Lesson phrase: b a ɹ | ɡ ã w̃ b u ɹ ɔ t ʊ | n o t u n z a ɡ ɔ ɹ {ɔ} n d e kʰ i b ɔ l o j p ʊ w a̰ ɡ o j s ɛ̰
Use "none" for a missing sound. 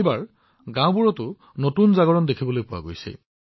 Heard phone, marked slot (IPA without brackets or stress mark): ɔ